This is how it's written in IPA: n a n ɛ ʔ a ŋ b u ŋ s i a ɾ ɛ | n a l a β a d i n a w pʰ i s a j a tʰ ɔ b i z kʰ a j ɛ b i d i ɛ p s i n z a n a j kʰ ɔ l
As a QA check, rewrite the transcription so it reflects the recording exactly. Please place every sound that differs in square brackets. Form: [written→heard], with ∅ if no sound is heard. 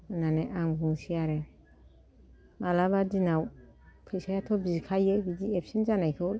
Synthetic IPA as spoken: n a n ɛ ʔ a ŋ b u ŋ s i a ɾ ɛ | [n→m] a l a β a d i n a w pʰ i s a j a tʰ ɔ b i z kʰ a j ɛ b i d i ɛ p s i n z a n a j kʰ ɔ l